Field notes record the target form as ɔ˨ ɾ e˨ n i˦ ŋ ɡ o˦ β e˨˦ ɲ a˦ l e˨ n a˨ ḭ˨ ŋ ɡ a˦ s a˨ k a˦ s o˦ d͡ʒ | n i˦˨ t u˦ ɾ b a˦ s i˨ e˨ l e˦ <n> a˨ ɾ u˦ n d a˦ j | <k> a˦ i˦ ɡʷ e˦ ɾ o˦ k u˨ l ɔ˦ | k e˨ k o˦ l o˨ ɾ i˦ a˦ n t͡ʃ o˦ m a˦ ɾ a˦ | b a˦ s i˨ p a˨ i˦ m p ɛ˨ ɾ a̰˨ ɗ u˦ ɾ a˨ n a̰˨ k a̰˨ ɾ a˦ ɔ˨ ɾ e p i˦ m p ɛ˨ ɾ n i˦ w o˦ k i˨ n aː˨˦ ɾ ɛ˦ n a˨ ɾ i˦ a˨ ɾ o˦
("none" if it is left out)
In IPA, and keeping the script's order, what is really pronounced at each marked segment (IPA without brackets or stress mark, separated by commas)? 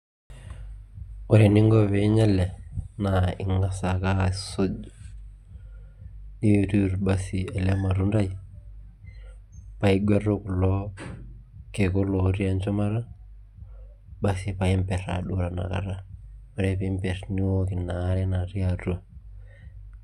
m, p